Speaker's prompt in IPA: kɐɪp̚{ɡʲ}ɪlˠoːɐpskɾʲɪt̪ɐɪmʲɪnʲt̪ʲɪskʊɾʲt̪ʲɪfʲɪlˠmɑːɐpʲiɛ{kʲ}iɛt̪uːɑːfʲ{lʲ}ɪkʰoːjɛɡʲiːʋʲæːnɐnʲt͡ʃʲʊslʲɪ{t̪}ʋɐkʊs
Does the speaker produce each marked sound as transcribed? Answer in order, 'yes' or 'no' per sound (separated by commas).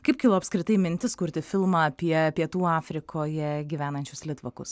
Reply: no, no, no, yes